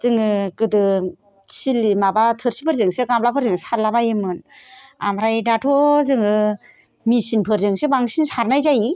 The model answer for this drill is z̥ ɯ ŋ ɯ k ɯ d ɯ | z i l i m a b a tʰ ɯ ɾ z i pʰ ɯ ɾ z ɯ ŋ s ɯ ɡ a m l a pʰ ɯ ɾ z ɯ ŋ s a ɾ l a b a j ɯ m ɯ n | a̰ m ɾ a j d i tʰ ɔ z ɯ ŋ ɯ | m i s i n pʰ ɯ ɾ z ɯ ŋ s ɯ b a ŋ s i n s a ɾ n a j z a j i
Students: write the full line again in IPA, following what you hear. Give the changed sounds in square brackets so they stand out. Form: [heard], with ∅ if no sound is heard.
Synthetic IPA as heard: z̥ ɯ ŋ ɯ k ɯ d ɯ | [s] i l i m a b a tʰ ɯ ɾ [s] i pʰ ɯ ɾ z ɯ ŋ s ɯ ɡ a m l a pʰ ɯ ɾ z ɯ ŋ s a ɾ l a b a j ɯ m ɯ n | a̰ m ɾ a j d [a] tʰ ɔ z ɯ ŋ ɯ | m i s i n pʰ ɯ ɾ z ɯ ŋ s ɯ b a ŋ s i n s a ɾ n a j z a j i